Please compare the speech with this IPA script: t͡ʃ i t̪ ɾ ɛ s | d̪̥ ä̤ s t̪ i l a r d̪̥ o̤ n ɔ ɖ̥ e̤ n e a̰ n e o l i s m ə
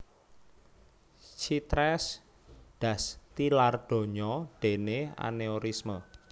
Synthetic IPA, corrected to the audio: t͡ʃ i t̪ ɾ ɛ s | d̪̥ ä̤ s t̪ i l a r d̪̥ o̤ ɲ ɔ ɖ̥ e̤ n e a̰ n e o ɾ i s m ə